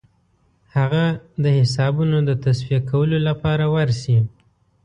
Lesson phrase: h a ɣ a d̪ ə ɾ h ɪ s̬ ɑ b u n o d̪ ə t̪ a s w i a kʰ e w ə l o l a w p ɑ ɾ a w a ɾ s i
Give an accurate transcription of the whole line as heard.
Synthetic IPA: h a ɣ a d̪ ə h ɪ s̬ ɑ b u n o d̪ ə t̪ a s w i a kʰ a w ə l o l a p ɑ ɾ a w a ɾ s i